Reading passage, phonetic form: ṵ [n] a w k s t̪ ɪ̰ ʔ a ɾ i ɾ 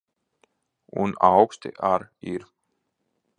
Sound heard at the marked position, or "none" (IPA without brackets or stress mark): n